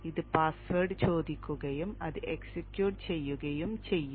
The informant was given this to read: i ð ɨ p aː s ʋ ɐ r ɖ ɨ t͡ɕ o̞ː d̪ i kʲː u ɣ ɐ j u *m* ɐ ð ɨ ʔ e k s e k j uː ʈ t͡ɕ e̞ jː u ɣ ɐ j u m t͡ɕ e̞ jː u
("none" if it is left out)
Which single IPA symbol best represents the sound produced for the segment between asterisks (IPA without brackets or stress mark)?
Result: m